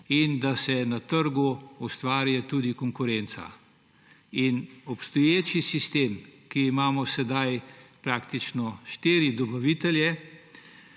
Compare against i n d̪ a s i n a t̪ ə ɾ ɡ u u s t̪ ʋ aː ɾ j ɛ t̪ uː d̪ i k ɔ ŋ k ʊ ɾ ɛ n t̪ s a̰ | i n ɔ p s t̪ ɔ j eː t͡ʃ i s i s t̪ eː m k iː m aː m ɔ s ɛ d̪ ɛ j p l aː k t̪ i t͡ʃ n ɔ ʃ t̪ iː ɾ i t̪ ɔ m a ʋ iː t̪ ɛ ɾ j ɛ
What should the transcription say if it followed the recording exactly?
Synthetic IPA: i n d̪ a s ɛ n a t̪ ə ɾ ɡ u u s t̪ ʋ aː ɾ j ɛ t̪ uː d̪ i k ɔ ŋ k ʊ ɾ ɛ n t̪ s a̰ | i n ɔ p s t̪ ɔ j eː t͡ʃ i s i s t̪ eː m k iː m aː m ɔ s ɛ d̪ a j p ɾ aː k t̪ i t͡ʃ n ɔ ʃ t̪ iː ɾ i d̪ ɔ b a ʋ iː t̪ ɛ l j ɛ